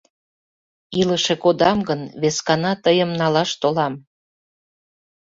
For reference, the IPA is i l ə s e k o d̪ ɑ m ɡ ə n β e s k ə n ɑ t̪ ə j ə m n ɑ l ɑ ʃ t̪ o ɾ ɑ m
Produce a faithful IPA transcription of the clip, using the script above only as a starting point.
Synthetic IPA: i l ə ʃ e k o d̪ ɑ m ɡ ə n β e s k ɑ n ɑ t̪ ə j ə m n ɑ l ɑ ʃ t̪ o l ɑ m